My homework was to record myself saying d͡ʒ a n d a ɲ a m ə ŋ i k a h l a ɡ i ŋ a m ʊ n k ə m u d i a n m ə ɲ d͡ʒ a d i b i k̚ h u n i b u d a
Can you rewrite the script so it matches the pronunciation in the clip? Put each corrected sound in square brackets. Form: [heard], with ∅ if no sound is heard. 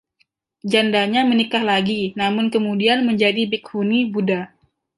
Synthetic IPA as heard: d͡ʒ a n d a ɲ a m ə [n] i k a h l a ɡ i [n] a m ʊ n k ə m u d i a n m ə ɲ d͡ʒ a d i b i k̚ h u n i b u d a

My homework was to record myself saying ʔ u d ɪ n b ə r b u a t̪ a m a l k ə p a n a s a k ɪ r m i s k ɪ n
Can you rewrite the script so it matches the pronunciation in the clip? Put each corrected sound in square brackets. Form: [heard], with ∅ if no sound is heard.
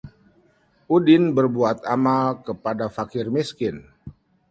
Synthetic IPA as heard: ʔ u d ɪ n b ə r b u a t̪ a m a l k ə p a [d] a [f] a k ɪ r m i s k ɪ n

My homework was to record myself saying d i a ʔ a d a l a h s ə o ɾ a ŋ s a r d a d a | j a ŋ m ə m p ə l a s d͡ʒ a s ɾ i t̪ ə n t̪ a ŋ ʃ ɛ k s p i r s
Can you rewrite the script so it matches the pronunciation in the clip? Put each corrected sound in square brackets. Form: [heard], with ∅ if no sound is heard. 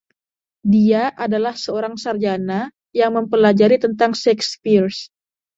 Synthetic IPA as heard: d i a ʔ a d a l a h s ə o ɾ a ŋ s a r [d͡ʒ] a [n] a | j a ŋ m ə m p ə l a [∅] d͡ʒ a [∅] ɾ i t̪ ə n t̪ a ŋ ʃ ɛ k s p i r s

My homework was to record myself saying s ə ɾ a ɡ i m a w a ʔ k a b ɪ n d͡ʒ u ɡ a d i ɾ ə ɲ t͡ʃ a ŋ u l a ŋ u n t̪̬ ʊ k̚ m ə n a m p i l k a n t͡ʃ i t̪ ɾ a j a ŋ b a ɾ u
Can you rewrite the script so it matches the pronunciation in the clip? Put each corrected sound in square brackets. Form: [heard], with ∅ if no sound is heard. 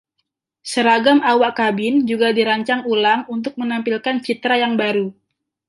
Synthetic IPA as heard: s ə ɾ a ɡ [a] m a w a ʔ k a b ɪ n d͡ʒ u ɡ a d i ɾ [a] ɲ t͡ʃ a ŋ u l a ŋ u n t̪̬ ʊ k̚ m ə n a m p i l k a n t͡ʃ i t̪ ɾ a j a ŋ b a ɾ u

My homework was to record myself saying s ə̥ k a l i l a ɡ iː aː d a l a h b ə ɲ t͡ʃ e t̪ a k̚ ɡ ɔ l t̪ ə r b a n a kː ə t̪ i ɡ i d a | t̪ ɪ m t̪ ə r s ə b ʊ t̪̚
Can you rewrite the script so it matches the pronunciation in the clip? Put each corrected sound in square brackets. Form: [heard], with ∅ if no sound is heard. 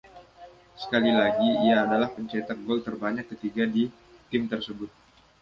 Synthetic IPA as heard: s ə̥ k a l i l a ɡ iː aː d a l a h [p] ə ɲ t͡ʃ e t̪ a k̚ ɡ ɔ l t̪ ə r b a [ɲ] a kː ə t̪ i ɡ [a] d [i] | t̪ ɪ m t̪ ə r s ə b ʊ t̪̚

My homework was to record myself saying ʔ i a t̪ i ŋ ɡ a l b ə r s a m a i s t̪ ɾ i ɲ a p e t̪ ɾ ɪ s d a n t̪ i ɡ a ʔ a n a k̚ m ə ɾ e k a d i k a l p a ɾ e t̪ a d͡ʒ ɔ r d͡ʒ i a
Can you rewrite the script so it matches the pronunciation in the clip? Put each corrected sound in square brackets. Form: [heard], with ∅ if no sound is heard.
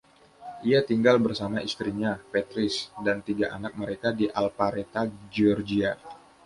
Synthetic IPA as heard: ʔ i a t̪ i ŋ ɡ a l b ə r s a m a i s t̪ ɾ i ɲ a p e t̪ ɾ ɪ s d a n t̪ i ɡ a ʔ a n a k̚ m ə ɾ e k a d i [ʔ] a l p a ɾ e t̪ a d͡ʒ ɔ r d͡ʒ i a

